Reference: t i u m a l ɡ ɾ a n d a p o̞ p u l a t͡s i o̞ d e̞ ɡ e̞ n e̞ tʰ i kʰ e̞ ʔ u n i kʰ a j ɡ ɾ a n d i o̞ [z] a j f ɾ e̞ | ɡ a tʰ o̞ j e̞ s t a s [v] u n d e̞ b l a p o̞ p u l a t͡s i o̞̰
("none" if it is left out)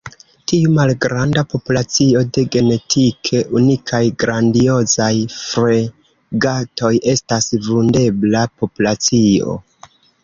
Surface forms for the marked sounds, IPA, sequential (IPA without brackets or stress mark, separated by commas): z, v